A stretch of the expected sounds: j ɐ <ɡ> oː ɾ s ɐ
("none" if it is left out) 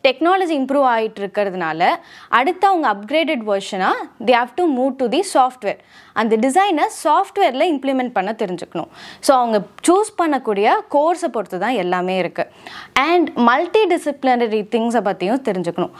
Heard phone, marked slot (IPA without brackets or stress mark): k